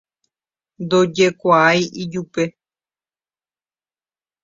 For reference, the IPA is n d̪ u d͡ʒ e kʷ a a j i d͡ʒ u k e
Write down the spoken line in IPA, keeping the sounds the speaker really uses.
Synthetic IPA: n d̪ o d͡ʒ e kʷ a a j i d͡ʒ u p e